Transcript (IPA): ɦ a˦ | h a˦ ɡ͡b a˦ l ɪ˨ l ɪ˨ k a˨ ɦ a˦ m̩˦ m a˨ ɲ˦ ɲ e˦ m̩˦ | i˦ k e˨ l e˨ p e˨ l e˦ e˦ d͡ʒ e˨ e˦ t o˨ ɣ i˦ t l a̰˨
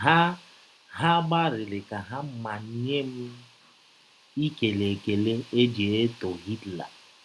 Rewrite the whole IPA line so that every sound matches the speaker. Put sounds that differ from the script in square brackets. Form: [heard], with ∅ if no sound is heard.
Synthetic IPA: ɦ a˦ | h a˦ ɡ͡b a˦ [ɾ] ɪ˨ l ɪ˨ k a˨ ɦ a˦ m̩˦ m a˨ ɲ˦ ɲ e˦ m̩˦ | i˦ k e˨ l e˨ [k] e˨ l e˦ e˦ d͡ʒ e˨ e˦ t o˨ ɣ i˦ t l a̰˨